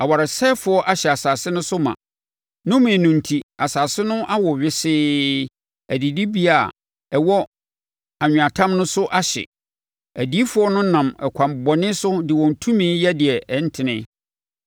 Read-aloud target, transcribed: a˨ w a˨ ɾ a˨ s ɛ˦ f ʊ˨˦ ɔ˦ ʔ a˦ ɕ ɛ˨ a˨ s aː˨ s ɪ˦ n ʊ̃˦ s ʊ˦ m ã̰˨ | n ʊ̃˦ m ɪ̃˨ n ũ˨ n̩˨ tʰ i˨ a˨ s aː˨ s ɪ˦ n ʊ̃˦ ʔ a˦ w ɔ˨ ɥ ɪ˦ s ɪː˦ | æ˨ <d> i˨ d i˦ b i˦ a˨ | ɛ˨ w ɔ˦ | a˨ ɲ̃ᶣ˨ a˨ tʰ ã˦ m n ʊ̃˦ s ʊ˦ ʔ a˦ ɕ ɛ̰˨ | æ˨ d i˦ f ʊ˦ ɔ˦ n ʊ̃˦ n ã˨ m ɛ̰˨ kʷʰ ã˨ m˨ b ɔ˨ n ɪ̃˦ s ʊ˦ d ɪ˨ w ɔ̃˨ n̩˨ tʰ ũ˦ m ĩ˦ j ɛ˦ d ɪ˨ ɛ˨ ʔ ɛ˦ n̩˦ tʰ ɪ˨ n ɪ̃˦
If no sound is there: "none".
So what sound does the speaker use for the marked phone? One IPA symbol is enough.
d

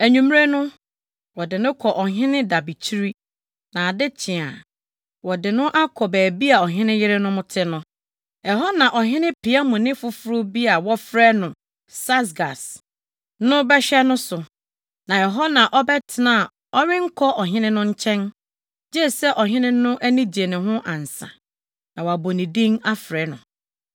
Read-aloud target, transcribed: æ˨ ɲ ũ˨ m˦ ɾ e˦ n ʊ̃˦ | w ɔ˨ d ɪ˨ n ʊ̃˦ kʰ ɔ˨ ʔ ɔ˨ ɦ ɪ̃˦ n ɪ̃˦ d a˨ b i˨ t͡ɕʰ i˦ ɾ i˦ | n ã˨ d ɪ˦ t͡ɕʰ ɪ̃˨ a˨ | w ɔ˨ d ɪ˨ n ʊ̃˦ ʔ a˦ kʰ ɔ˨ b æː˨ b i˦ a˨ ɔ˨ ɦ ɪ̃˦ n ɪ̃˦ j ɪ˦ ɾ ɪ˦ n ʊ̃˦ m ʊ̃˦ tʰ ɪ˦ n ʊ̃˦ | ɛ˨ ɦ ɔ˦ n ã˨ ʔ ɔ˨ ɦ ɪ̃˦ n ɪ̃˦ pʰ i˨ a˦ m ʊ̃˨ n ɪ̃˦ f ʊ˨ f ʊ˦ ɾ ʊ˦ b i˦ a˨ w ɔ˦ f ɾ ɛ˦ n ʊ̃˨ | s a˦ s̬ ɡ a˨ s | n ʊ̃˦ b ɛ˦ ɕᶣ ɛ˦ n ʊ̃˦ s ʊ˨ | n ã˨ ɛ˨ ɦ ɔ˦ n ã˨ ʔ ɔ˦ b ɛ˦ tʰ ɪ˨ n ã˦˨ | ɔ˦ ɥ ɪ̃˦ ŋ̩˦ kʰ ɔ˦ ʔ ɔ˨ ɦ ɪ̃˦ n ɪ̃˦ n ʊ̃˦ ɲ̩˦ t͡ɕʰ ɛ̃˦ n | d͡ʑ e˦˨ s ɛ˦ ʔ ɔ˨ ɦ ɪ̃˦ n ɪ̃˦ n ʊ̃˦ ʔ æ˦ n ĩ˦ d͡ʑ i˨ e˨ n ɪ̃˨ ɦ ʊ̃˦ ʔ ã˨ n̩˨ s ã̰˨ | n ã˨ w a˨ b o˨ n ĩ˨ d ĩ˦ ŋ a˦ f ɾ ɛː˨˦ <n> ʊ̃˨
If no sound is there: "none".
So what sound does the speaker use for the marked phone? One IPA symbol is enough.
n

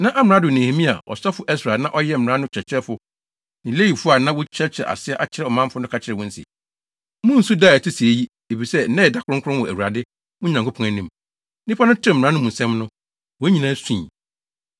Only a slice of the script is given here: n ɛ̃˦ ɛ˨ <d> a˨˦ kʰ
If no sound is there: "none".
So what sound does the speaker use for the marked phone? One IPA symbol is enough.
d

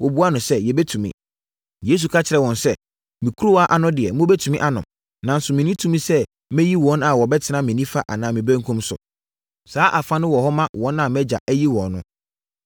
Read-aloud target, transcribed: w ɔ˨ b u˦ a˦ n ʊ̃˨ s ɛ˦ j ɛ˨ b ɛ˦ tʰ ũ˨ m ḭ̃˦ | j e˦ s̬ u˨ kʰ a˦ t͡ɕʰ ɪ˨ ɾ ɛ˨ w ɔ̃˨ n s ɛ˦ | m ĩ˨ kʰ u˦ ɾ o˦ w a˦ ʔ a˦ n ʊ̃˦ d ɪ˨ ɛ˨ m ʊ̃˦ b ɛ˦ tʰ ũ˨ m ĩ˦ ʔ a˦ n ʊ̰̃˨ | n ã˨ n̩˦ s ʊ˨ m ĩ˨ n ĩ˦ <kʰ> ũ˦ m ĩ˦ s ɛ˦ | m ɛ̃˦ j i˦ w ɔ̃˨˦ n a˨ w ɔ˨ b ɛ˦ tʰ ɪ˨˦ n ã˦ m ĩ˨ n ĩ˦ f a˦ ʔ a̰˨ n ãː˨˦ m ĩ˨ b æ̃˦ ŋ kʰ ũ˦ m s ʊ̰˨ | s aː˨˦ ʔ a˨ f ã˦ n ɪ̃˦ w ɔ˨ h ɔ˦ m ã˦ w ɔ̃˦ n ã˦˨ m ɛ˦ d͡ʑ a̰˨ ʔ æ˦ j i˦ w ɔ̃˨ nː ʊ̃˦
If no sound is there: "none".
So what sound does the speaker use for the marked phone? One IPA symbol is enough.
tʰ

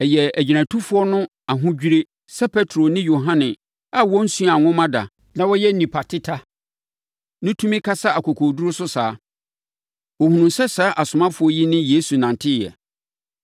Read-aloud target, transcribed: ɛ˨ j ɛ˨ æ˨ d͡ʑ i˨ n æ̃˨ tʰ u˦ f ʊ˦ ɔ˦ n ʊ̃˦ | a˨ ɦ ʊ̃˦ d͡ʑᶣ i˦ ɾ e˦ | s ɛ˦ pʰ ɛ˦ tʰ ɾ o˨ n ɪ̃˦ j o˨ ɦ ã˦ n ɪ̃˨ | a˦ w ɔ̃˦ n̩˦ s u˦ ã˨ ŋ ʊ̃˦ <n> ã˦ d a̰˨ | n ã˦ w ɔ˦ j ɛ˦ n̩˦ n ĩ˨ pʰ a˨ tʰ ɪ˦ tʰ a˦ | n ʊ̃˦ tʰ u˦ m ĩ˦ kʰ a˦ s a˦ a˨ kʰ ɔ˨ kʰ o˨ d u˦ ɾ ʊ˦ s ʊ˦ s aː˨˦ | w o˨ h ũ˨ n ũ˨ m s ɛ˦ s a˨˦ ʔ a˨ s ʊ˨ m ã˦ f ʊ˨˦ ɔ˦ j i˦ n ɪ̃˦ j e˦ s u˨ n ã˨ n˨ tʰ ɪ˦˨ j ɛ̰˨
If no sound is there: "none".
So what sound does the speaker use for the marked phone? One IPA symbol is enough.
m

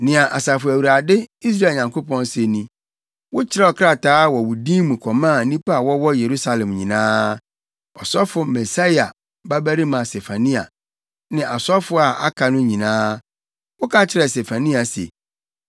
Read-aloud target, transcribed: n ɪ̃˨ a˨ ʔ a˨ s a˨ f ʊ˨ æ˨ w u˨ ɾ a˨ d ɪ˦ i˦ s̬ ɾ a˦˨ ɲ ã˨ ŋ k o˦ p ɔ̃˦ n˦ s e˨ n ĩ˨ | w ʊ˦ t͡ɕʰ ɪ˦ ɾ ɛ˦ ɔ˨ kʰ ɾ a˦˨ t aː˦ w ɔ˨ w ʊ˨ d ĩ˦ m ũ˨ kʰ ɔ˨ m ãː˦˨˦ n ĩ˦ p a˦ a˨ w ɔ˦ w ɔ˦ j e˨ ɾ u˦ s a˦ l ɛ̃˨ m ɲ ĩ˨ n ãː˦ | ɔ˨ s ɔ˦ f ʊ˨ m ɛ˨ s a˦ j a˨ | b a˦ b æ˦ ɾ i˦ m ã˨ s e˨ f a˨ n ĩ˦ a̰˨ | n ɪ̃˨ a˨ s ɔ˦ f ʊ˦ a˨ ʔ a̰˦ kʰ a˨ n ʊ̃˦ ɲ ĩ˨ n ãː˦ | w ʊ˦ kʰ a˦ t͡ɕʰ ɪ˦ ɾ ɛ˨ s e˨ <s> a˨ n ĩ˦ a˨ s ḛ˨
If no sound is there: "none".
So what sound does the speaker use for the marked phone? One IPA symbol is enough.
f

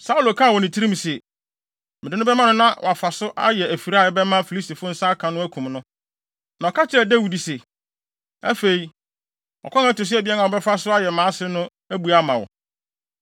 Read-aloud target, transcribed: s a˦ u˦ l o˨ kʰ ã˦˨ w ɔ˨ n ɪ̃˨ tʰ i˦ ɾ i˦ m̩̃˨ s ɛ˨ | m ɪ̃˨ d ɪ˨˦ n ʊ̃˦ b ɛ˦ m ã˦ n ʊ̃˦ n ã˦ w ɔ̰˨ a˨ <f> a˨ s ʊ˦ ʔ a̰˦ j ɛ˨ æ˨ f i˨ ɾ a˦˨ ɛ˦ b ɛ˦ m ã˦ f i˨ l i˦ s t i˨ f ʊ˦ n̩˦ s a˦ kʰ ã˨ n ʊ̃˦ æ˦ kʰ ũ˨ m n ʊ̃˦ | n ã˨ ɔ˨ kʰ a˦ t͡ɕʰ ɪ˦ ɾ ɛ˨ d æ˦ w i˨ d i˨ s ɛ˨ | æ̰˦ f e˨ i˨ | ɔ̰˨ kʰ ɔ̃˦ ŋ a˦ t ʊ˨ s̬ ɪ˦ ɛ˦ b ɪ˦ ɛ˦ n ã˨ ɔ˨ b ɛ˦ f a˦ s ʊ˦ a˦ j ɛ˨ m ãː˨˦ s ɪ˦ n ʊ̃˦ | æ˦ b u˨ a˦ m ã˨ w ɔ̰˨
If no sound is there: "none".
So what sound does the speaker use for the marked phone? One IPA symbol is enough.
f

